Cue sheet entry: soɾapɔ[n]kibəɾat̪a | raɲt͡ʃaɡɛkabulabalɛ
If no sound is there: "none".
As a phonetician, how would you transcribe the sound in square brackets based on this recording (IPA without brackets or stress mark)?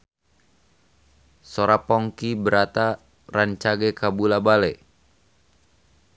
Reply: ŋ